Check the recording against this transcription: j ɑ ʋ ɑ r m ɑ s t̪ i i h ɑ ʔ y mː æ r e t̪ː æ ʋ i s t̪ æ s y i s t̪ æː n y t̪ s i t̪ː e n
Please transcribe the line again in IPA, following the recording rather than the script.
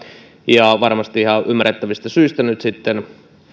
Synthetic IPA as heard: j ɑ ʋ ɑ r m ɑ s t̪ i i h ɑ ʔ y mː æ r e t̪ː æ ʋ i s t̪ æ s y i s t̪ æ n y t̪ s i t̪ː e n